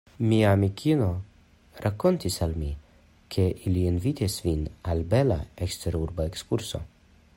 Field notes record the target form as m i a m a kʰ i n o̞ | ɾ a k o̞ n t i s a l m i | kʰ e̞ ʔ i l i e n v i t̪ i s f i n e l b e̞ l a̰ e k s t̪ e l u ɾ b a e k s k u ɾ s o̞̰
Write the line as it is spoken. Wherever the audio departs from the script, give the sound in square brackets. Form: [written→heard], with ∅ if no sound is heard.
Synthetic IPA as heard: m i a m [a→i] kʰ i n o̞ | ɾ a k o̞ n t i s a l m i | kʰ e̞ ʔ i l i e n v i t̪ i s [f→v] i n [e→a] l b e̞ l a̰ e k s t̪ e [l→ɾ] u ɾ b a e k s k u ɾ s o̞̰